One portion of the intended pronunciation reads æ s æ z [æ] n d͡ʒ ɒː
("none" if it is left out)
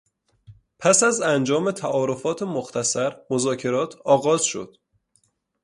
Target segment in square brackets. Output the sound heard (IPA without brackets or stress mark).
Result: æ